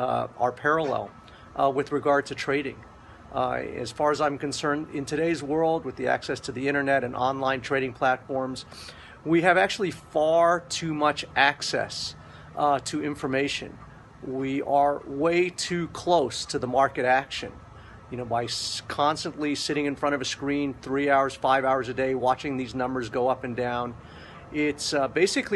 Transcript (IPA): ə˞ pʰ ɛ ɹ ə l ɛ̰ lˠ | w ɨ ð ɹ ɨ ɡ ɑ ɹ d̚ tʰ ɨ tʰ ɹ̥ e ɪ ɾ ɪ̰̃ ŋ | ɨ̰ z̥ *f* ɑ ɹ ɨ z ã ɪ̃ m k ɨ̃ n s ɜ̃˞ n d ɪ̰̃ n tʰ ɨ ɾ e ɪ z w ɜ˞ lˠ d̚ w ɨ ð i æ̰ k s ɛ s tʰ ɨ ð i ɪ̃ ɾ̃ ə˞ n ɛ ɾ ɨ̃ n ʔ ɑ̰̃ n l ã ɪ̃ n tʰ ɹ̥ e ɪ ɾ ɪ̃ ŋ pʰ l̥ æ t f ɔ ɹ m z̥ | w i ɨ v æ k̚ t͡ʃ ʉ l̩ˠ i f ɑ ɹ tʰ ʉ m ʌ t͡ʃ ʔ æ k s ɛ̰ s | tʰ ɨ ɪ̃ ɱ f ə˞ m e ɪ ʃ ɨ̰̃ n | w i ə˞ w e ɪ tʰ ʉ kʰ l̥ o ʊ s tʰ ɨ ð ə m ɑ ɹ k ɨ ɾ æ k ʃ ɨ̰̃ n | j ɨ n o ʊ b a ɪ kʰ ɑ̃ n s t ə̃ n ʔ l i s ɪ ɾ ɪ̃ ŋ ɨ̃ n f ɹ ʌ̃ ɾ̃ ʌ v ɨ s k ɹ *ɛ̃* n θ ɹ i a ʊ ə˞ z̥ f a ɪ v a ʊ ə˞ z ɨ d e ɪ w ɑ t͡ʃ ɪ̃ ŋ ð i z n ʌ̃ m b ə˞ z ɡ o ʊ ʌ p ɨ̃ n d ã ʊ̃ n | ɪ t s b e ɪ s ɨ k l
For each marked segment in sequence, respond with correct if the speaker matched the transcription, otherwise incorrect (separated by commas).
correct, incorrect